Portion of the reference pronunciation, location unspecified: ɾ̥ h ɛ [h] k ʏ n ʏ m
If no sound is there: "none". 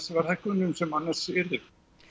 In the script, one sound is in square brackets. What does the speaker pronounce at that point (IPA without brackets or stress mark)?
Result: h